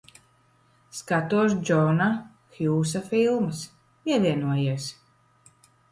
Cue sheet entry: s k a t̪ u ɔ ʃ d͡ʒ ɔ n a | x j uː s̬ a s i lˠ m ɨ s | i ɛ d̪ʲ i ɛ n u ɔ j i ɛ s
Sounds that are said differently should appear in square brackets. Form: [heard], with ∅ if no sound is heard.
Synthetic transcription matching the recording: s k a t̪ u ɔ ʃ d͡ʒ ɔ n a | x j uː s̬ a [f] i lˠ m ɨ s | i ɛ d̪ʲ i ɛ n u ɔ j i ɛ s